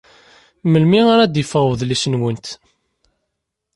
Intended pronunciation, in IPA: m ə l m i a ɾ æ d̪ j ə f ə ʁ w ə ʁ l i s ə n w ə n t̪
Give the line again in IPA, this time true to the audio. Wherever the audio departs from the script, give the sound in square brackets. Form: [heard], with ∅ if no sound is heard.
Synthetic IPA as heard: m ə l m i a ɾ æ d̪ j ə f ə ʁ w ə [ð] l i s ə n w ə n t̪